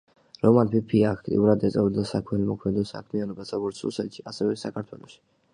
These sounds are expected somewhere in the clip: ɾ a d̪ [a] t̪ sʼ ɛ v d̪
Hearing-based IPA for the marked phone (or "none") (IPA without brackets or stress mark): ɛ